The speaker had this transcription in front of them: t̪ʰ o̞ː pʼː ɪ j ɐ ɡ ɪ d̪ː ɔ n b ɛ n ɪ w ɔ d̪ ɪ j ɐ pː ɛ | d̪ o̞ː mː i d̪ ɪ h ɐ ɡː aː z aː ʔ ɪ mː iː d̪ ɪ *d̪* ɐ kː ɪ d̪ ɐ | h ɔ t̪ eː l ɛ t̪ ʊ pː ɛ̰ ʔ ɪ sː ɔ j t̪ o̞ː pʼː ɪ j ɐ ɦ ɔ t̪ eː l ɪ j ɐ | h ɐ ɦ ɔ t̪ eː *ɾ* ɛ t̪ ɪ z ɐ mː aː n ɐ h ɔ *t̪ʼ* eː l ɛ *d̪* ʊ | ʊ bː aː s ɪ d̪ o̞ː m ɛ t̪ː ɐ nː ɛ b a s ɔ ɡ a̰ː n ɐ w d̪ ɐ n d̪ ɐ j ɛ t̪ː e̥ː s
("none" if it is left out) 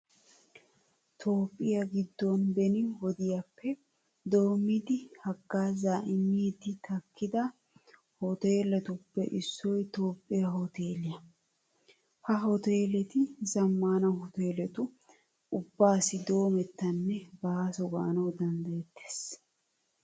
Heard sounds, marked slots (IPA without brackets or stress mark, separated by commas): t̪, l, t̪, t̪